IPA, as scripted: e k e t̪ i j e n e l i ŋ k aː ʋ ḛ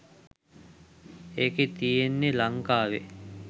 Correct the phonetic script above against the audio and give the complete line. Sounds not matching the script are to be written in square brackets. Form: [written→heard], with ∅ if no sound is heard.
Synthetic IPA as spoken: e k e t̪ i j e [n→nː] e l [i→a] ŋ k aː ʋ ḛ